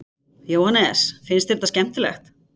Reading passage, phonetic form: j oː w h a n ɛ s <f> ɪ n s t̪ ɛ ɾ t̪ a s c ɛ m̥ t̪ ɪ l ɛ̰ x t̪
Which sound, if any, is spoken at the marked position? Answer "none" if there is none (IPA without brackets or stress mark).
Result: f